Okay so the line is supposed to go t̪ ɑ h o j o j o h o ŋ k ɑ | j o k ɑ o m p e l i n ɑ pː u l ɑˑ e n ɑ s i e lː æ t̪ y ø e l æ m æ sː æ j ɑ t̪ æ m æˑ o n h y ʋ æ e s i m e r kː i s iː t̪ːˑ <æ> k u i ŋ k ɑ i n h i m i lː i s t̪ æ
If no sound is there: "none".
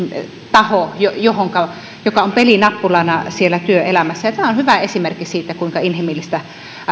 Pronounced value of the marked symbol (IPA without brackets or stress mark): æ